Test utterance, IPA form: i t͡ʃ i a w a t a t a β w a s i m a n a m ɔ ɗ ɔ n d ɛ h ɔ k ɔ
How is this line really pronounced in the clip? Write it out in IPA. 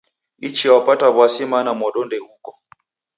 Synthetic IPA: i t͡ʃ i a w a p a t a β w a s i m a n a m ɔ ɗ ɔ n d ɛ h u k ɔ

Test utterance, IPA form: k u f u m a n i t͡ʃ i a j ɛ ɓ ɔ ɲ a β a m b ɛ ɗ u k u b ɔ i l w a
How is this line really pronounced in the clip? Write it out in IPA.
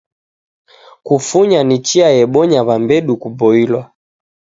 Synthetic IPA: k u f u ɲ a n i t͡ʃ i a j ɛ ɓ ɔ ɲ a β a m b ɛ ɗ u k u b ɔ i l w a

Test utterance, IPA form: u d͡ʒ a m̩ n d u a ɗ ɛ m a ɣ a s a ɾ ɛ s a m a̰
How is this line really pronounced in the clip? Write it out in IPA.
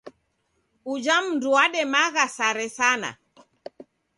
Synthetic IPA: u d͡ʒ a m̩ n d u a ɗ ɛ m a ɣ a s a ɾ ɛ s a n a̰

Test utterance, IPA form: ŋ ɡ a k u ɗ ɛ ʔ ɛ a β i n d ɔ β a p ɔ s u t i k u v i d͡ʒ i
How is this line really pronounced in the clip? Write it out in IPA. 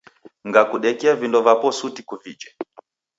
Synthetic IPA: ŋ ɡ a k u ɗ ɛ k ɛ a v i n d ɔ v a p ɔ s u t i k u v i d͡ʒ ɛ

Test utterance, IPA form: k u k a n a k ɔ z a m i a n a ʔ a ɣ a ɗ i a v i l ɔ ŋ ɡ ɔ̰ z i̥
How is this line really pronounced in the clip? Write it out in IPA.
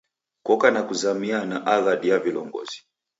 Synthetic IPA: k ɔ k a n a k u z a m i a n a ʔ a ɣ a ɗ i a v i l ɔ ŋ ɡ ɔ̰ z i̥

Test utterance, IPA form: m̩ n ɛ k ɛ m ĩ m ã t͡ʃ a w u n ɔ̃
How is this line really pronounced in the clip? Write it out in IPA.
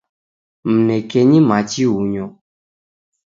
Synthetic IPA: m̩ n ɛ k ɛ ɲ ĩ m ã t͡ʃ i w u ɲ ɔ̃

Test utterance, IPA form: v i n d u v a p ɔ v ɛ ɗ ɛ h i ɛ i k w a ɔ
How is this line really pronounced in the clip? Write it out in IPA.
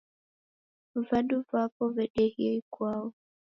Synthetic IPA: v a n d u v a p ɔ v ɛ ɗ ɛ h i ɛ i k w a ɔ

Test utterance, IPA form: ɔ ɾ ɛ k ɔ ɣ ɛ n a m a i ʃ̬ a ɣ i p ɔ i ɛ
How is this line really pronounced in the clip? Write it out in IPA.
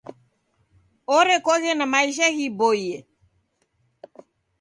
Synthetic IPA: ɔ ɾ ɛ k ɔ ɣ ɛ n a m a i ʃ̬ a ɣ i b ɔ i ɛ

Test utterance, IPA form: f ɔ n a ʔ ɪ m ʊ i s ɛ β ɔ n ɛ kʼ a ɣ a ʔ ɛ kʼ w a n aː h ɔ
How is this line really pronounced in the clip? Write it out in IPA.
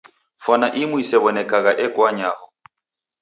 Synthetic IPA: f ɔ n a ʔ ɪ m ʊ i s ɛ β ɔ n ɛ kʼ a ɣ a ʔ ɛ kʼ w a ɲ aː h ɔ

